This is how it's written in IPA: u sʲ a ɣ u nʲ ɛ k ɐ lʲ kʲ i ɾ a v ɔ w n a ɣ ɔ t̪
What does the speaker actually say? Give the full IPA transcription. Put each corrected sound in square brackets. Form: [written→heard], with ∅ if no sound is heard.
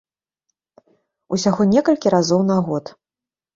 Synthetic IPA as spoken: u sʲ a ɣ [u→ɔ] nʲ ɛ k ɐ lʲ kʲ i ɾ a [v→z] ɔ w n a ɣ ɔ t̪